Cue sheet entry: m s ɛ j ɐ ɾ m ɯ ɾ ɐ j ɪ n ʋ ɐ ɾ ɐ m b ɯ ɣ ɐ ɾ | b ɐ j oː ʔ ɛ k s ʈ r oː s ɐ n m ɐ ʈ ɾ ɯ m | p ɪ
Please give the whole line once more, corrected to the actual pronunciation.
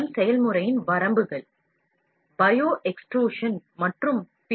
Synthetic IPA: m s ɛ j ɐ l m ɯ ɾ ɐ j ɪ n ʋ ɐ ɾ ɐ m b ɯ ɣ ɐ ɭ | b ɐ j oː ʔ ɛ k s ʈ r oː ʂ ɐ n m ɐ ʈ r ɯ m | p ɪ